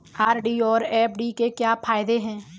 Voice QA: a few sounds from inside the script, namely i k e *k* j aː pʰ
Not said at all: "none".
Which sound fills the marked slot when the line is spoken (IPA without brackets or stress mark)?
k